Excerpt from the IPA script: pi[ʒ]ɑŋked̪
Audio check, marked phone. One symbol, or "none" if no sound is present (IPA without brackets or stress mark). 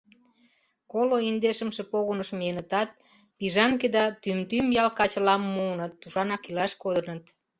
ʒ